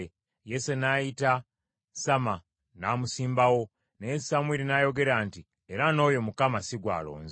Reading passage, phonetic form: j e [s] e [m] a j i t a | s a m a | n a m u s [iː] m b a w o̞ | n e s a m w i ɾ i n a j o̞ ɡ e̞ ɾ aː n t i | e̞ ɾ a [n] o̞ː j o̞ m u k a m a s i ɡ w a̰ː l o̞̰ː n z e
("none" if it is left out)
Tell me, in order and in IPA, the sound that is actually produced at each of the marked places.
s, n, iː, n

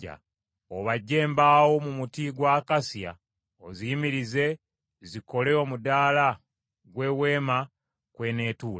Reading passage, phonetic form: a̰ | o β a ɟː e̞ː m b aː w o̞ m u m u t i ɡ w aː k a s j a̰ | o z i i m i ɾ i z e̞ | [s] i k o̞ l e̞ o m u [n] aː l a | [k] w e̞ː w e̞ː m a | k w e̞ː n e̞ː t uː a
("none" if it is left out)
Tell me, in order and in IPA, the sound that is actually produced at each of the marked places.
z, d, ɡ

